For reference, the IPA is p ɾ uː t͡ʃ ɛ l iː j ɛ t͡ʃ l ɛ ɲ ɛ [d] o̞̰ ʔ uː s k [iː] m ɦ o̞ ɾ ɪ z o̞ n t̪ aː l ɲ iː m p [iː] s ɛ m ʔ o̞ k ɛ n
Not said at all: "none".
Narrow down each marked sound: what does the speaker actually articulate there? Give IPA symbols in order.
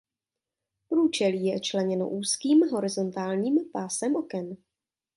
n, iː, aː

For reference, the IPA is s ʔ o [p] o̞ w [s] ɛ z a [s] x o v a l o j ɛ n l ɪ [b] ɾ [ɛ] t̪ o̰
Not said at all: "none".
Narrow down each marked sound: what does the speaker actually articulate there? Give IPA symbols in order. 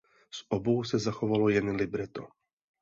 b, s, none, b, ɛ

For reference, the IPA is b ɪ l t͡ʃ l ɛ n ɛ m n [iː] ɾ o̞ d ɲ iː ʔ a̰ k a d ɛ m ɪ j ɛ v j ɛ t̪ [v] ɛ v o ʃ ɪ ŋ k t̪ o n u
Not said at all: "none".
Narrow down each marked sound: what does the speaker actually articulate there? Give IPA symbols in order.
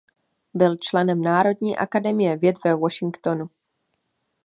aː, v

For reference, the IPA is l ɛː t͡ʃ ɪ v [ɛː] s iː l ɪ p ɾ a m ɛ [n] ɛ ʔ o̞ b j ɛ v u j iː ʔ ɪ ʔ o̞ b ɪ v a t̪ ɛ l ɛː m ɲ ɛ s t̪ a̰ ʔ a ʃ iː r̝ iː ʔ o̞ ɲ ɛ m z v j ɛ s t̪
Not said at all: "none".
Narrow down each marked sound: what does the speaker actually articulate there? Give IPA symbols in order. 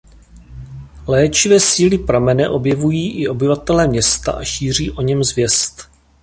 ɛː, n

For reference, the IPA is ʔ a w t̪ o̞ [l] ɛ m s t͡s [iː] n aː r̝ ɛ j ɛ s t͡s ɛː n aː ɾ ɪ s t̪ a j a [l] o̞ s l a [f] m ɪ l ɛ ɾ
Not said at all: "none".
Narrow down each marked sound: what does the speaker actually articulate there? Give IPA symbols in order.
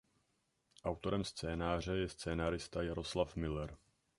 ɾ, ɛː, ɾ, f

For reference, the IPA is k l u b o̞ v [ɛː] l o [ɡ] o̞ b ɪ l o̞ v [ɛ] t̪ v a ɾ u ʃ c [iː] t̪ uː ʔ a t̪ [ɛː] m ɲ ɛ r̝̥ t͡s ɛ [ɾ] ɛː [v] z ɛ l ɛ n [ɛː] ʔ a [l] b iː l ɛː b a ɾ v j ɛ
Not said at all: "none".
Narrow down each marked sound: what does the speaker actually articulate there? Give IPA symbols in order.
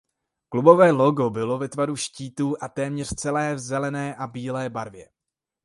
ɛː, ɡ, ɛ, iː, ɛː, l, v, ɛː, none

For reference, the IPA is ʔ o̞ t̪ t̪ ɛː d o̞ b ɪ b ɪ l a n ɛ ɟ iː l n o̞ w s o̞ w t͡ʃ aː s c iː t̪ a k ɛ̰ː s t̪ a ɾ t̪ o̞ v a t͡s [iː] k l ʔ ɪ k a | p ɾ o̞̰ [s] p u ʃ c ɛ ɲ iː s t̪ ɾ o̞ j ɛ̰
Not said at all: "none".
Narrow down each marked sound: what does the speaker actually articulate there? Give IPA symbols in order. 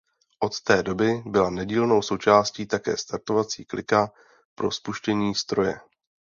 iː, s

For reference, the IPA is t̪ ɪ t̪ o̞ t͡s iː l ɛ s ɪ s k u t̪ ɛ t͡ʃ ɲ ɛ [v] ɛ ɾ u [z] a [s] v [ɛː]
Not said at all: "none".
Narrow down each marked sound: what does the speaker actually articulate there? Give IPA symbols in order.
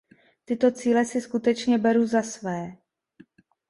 b, z, s, ɛː

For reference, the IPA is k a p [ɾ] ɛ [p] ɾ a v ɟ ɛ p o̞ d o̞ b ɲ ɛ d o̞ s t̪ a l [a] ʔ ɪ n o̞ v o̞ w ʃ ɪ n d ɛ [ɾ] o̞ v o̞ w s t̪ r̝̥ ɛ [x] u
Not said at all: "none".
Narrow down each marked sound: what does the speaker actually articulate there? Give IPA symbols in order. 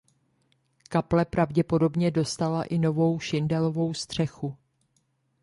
l, p, a, l, x

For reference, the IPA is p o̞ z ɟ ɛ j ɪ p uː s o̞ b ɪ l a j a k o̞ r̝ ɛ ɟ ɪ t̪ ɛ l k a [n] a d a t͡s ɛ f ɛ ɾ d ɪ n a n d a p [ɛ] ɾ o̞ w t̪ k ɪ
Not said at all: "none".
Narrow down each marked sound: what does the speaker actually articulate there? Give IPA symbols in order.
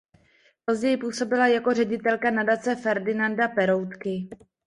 n, ɛ

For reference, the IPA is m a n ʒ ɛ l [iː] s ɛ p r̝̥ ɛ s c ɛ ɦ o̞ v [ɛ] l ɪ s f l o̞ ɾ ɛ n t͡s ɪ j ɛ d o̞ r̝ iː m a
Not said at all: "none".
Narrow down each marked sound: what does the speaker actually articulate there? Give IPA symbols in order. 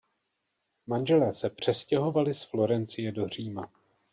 ɛː, a

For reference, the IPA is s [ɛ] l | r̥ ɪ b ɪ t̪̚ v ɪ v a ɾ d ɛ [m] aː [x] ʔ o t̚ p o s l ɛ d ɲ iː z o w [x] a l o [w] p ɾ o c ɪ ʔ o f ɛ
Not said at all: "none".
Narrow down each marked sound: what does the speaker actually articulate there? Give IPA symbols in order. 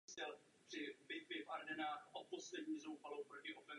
ɛ, n, x, f, w

